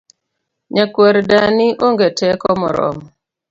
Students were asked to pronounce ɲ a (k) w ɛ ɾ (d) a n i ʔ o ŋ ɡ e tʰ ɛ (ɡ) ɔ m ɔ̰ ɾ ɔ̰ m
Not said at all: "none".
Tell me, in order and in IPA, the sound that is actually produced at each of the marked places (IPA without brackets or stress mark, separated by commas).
k, d, k